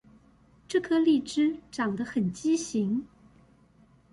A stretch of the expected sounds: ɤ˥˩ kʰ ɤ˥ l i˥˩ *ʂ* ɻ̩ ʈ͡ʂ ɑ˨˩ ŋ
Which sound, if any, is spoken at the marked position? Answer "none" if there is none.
ʈ͡ʂ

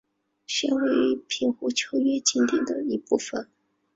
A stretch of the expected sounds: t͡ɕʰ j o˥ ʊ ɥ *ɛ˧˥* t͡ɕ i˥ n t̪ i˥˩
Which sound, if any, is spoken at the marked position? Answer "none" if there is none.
ɛ˥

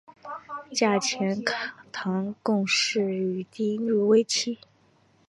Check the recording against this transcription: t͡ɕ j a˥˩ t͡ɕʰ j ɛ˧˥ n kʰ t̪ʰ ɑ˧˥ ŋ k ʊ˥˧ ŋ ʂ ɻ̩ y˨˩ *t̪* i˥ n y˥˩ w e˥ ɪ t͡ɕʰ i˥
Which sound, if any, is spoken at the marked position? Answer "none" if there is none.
t̪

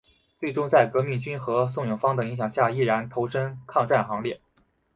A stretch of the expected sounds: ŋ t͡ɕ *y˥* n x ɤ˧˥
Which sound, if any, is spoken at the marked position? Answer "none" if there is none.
y˥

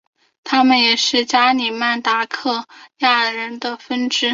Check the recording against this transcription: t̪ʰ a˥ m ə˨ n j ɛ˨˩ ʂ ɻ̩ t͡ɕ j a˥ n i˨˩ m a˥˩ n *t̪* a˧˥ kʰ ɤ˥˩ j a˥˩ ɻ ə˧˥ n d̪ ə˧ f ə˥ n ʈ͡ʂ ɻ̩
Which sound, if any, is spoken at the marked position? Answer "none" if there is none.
t̪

